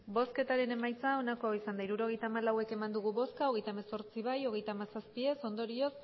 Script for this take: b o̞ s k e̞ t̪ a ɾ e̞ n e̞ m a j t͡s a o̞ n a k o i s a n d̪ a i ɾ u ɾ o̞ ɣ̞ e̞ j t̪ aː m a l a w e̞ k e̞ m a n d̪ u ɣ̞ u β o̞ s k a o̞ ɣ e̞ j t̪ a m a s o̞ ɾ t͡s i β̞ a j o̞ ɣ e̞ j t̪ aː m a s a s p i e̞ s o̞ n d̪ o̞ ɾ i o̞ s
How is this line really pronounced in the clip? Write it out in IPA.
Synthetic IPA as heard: b o̞ s k e̞ t̪ a ɾ e̞ n e̞ m a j t͡s a o̞ n a k o i s a n d̪ a i ɾ u ɾ o̞ ɣ̞ e̞ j t̪ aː m a l a w e̞ k e̞ m a n d̪ u ɣ̞ u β o̞ s k a o̞ ɣ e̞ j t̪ a m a s o̞ ɾ t͡s i β̞ a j o̞ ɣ e̞ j t̪ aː m a s a s p i e̞ s o̞ n d̪ o̞ ɾ i o̞ s